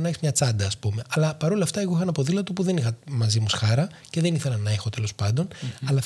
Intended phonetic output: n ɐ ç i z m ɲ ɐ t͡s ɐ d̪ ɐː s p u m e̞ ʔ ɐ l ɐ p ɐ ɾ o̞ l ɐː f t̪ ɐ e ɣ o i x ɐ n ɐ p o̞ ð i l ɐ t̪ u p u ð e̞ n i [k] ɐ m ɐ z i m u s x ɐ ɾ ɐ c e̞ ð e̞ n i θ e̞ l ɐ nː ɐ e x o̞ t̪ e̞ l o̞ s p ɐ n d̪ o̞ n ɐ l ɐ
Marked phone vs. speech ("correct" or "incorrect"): incorrect